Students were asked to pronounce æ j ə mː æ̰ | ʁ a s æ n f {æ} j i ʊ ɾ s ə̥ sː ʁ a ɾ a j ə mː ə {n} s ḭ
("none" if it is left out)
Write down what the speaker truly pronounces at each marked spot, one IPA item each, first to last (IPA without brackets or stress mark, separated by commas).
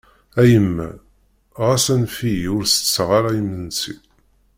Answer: i, n